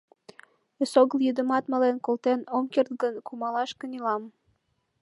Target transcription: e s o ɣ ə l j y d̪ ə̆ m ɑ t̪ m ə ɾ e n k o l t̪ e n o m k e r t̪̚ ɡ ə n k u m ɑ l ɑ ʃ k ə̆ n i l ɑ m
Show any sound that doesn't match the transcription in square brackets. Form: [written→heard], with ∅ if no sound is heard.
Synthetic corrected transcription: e s o ɣ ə l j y d̪ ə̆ m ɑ t̪ m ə [ɾ→l] e n k o l t̪ e n o m k e r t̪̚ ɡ ə n k u m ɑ l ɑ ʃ k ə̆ n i l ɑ m

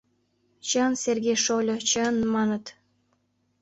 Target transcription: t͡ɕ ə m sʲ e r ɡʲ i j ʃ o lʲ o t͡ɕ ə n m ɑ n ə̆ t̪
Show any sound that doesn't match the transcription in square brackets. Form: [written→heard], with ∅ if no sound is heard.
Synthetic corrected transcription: t͡ɕ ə [m→n] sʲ e r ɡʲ [i→e] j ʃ o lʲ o t͡ɕ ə n m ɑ n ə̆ t̪

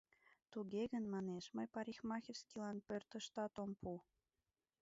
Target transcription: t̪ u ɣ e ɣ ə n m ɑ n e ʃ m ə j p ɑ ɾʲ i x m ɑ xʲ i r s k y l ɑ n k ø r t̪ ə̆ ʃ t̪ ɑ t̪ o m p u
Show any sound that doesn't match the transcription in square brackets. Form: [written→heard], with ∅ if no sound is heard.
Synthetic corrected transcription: t̪ u ɣ e ɣ ə n m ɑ n e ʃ m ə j p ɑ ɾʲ i x m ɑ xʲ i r s k [y→i] l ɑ n [k→p] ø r t̪ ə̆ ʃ t̪ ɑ t̪ o m p u

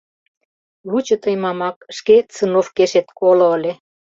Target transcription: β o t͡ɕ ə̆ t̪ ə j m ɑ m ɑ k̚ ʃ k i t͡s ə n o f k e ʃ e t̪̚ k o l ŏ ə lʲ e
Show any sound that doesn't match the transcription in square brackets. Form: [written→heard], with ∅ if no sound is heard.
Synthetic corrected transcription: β [o→u] t͡ɕ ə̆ t̪ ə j m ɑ m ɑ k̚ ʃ k [i→e] t͡s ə n o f k e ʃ e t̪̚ k o l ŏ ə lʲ e

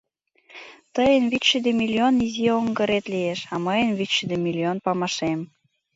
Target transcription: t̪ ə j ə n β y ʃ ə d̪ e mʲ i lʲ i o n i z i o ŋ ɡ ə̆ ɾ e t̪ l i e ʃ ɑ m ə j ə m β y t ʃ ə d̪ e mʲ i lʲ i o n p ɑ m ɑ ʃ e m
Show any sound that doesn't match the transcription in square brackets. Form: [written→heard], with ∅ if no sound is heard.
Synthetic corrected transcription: t̪ ə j ə n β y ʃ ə d̪ e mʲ i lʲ i o n i z i o ŋ ɡ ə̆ ɾ e t̪ l i e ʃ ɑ m ə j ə [m→n] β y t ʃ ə d̪ e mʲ i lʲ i o n p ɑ m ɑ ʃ e m

